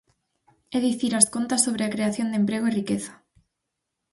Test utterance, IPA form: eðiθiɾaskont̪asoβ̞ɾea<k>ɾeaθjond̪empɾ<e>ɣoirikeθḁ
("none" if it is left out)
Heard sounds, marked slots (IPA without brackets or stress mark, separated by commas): k, e